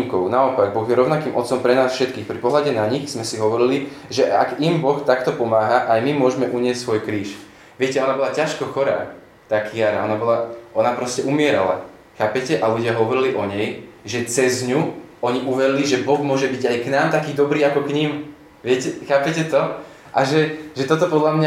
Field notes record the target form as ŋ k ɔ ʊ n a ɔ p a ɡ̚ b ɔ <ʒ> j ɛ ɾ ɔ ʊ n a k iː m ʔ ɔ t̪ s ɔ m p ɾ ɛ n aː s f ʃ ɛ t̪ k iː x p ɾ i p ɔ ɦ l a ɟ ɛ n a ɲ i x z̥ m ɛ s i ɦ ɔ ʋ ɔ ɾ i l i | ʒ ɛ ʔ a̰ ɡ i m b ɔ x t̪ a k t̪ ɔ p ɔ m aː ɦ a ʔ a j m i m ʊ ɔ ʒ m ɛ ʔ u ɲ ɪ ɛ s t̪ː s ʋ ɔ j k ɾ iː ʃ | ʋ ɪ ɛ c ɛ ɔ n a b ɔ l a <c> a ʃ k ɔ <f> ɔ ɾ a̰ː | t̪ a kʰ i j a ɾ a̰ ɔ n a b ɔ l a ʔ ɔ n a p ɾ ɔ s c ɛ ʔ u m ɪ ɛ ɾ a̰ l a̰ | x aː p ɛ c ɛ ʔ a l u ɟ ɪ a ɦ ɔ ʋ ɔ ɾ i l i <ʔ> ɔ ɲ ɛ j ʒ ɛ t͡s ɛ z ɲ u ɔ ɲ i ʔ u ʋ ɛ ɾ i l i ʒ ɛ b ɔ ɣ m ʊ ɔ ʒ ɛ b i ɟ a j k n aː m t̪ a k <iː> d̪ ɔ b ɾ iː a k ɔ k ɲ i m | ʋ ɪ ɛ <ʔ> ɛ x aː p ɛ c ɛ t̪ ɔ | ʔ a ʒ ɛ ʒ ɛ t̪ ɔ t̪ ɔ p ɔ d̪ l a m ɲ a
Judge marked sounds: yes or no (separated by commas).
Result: no, yes, no, yes, yes, no